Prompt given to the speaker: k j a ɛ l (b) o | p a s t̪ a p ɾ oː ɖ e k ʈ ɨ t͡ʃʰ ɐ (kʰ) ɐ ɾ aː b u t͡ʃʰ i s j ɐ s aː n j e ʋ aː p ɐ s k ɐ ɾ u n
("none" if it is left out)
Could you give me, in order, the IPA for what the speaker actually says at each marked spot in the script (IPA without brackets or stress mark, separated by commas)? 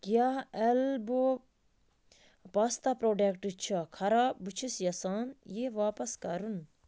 b, kʰ